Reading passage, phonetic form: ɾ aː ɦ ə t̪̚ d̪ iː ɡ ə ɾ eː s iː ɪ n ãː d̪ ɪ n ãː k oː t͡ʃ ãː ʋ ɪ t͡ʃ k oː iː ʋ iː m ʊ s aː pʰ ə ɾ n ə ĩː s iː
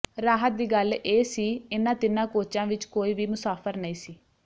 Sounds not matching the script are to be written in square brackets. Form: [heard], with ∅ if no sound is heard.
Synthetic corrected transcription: ɾ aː ɦ ə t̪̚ d̪ iː ɡ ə [l] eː s iː ɪ n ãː [t̪] ɪ n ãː k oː t͡ʃ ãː ʋ ɪ t͡ʃ k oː iː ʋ iː m ʊ s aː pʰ ə ɾ n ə ĩː s iː